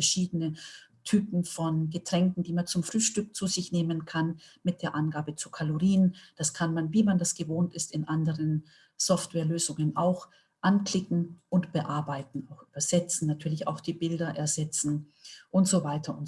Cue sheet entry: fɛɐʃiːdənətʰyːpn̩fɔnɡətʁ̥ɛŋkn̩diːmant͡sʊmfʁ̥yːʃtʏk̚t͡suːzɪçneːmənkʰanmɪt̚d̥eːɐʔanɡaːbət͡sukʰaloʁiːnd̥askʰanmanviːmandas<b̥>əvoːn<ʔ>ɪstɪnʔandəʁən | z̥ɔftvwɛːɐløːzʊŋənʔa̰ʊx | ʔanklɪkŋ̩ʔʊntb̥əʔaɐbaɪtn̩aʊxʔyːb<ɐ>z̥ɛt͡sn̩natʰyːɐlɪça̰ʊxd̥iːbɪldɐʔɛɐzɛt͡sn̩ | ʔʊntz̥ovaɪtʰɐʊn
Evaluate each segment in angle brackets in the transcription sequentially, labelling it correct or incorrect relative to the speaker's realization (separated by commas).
incorrect, incorrect, correct